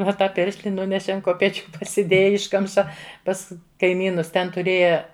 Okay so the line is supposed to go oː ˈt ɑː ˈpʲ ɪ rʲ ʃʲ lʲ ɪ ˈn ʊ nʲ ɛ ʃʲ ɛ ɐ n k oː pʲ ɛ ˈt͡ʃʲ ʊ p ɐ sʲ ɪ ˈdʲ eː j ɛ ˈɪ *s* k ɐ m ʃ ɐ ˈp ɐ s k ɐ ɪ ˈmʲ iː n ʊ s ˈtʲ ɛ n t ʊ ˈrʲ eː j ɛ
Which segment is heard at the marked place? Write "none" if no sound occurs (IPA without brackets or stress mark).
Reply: ʃ